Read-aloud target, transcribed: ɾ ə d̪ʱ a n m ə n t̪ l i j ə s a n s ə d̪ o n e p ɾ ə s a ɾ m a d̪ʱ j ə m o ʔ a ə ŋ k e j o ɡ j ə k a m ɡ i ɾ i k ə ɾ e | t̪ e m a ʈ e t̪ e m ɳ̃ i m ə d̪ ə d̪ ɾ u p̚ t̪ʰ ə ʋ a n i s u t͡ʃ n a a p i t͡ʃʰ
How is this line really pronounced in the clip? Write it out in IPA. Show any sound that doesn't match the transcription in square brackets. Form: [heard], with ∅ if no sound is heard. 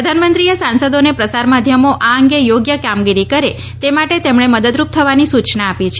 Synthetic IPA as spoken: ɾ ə d̪ʱ a n m ə n t̪ [ɾ] i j ə s a n s ə d̪ o n e p ɾ ə s a ɾ m a d̪ʱ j ə m o ʔ a ə ŋ [ɡ] e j o ɡ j ə k a m ɡ i ɾ i k ə ɾ e | t̪ e m a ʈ e t̪ e m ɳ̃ [e] m ə d̪ ə d̪ ɾ u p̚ t̪ʰ ə ʋ a n i s u t͡ʃ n a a p i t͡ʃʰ